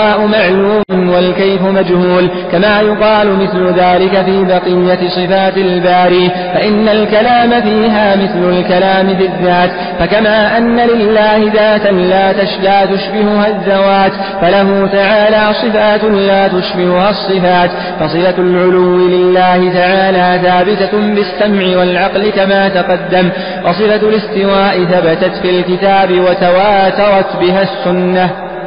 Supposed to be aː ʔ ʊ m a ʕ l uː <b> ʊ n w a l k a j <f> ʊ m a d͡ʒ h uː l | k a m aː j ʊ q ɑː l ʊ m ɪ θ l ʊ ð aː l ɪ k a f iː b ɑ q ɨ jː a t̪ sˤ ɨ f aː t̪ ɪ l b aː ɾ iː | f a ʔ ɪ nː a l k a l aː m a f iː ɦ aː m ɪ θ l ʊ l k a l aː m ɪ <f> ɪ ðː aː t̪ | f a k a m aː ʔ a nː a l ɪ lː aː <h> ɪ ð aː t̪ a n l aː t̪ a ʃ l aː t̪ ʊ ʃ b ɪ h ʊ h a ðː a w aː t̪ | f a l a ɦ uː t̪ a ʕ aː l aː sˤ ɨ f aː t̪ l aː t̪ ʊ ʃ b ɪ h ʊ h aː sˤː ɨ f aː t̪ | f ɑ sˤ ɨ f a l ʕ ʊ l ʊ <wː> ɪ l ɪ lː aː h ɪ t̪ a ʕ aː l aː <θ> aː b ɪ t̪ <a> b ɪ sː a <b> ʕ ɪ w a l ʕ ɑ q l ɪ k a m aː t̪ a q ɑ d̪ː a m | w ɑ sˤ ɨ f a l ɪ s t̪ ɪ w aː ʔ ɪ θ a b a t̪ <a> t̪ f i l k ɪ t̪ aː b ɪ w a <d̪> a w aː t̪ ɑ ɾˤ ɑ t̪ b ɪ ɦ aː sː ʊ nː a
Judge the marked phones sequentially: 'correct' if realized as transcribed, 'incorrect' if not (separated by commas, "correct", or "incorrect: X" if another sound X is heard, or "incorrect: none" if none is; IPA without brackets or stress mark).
incorrect: m, correct, correct, correct, correct, correct, correct, incorrect: m, correct, incorrect: t̪